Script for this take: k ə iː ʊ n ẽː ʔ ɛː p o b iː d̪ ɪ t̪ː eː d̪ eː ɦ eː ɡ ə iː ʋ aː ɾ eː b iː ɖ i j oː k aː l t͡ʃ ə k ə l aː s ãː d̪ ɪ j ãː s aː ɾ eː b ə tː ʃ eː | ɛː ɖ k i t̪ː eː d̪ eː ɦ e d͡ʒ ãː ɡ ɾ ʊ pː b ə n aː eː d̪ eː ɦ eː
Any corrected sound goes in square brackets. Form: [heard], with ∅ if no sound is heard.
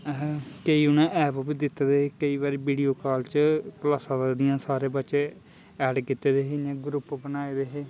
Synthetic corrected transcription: k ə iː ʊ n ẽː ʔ ɛː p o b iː d̪ ɪ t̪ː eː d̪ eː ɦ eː [k] ə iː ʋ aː ɾ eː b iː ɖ i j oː k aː l t͡ʃ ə k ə l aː s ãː d̪ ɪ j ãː s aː ɾ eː b ə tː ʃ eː | ɛː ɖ k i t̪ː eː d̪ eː ɦ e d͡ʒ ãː ɡ ɾ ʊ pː b ə n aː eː d̪ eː ɦ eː

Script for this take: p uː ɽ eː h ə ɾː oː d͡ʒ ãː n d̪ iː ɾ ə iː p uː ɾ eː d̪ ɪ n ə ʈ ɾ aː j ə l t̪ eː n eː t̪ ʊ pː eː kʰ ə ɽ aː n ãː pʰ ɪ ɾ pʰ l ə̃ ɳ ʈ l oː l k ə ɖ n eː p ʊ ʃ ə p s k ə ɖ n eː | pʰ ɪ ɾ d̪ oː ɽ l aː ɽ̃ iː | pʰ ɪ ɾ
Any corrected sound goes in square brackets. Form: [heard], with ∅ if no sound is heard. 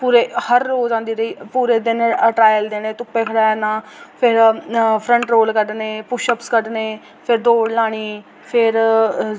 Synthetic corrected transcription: p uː [ɾ] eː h ə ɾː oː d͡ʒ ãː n d̪ iː ɾ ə iː p uː ɾ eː d̪ ɪ n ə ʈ ɾ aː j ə l [d̪] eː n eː t̪ ʊ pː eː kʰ ə ɽ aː n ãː pʰ ɪ ɾ pʰ [ɾ] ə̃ ɳ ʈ [ɾ] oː l k ə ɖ n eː p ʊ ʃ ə p s k ə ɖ n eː | pʰ ɪ ɾ d̪ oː ɽ l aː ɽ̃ iː | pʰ ɪ ɾ

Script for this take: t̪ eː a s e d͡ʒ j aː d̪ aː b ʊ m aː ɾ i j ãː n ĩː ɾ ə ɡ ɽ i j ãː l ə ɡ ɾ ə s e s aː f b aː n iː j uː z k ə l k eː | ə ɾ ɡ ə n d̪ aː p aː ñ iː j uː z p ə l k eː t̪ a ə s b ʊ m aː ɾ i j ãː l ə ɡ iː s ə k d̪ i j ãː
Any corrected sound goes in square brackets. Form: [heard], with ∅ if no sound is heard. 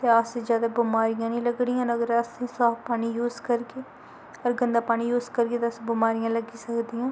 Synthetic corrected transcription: t̪ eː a s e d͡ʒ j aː d̪ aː b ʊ m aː ɾ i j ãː n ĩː [l] ə ɡ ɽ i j ãː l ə ɡ ɾ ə s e s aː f [p] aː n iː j uː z k ə [ɾ] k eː | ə ɾ ɡ ə n d̪ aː p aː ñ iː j uː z [k] ə [ɾ] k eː t̪ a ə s b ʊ m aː ɾ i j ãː l ə ɡ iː s ə k d̪ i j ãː

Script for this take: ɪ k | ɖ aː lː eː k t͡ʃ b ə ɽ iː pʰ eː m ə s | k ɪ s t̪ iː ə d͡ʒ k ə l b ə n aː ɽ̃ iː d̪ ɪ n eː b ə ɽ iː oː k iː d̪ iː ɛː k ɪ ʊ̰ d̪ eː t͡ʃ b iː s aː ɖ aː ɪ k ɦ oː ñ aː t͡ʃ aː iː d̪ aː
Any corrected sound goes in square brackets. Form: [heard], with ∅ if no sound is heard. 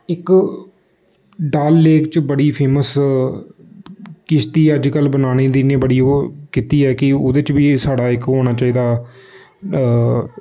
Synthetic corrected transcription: ɪ k | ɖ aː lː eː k t͡ʃ b ə ɽ iː pʰ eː m ə s | k ɪ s t̪ iː ə d͡ʒ k ə l b ə n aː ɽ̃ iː d̪ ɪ n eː b ə ɽ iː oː k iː [t̪] iː ɛː k ɪ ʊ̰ d̪ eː t͡ʃ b iː s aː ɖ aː ɪ k ɦ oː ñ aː t͡ʃ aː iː d̪ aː

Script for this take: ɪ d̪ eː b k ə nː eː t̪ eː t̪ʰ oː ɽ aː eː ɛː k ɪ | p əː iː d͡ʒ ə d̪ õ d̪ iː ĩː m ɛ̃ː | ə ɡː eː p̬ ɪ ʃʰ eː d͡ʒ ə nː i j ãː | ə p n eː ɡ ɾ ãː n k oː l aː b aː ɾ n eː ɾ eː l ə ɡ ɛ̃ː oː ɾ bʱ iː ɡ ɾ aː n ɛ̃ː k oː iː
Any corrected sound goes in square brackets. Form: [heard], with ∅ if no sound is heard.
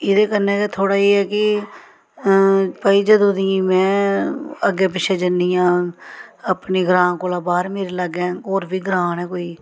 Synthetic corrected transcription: ɪ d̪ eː [∅] k ə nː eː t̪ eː t̪ʰ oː ɽ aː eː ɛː k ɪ | p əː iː d͡ʒ ə d̪ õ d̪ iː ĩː m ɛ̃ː | ə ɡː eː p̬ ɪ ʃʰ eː d͡ʒ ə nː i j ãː | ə p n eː ɡ ɾ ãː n k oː l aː b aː ɾ [m] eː ɾ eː l ə ɡ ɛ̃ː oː ɾ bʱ iː ɡ ɾ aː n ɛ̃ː k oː iː

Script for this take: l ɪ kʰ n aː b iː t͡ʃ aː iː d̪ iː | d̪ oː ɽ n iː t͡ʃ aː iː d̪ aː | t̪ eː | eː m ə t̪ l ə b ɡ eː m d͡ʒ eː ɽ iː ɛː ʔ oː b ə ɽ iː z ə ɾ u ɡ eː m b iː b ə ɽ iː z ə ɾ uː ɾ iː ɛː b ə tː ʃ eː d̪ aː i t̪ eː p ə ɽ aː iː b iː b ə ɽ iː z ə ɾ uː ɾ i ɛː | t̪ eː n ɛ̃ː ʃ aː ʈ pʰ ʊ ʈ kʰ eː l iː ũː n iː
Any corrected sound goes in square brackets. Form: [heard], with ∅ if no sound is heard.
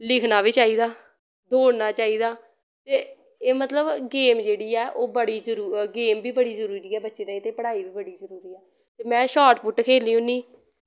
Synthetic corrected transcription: l ɪ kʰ n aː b iː t͡ʃ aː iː d̪ [aː] | d̪ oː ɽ n [aː] t͡ʃ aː iː d̪ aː | t̪ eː | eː m ə t̪ l ə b ɡ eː m d͡ʒ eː ɽ iː ɛː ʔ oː b ə ɽ iː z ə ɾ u ɡ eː m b iː b ə ɽ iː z ə ɾ uː ɾ iː ɛː b ə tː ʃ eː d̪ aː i t̪ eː p ə ɽ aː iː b iː b ə ɽ iː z ə ɾ uː ɾ [iː] ɛː | t̪ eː [m] ɛ̃ː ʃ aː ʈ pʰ ʊ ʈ kʰ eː l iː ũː n iː

